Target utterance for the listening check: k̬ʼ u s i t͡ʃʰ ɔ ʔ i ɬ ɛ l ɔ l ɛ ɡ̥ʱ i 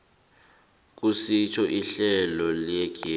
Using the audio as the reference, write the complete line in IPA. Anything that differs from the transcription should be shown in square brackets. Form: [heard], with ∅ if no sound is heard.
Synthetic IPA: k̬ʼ u s i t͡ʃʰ ɔ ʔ i ɬ ɛ l ɔ l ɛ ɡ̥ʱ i